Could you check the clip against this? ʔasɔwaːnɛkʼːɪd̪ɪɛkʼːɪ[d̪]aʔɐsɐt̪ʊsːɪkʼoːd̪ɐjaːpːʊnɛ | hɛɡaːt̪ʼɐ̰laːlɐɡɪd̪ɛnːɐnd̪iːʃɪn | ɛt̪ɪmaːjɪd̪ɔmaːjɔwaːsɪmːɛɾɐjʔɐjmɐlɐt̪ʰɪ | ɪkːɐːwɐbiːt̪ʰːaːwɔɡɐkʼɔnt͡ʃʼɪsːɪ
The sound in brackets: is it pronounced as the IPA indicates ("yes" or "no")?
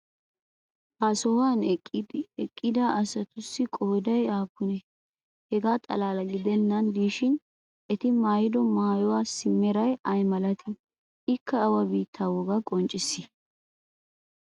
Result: yes